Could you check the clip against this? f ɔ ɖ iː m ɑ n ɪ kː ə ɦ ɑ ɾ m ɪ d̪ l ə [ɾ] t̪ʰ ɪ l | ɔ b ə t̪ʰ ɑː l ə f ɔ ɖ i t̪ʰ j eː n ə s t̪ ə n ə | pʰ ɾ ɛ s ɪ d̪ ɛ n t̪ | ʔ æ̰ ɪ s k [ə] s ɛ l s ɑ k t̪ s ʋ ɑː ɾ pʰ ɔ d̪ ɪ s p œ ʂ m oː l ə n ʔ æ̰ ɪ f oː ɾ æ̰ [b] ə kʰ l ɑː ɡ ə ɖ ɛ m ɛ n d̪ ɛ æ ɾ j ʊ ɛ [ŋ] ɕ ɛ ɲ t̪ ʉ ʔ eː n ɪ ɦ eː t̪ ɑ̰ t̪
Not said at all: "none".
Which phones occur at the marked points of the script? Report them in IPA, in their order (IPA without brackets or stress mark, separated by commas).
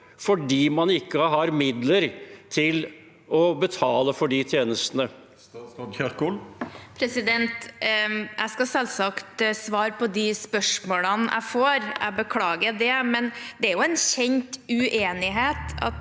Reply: ɾ, ɑ, b, n